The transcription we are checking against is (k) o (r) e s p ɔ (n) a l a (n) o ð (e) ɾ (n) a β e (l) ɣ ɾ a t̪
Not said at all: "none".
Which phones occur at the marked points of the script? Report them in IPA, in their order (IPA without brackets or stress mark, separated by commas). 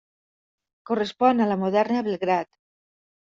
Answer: k, r, n, m, ɛ, n, l